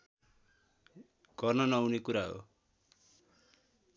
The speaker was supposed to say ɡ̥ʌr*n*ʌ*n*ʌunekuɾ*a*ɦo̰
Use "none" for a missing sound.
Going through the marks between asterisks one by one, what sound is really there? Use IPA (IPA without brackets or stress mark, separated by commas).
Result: n, n, a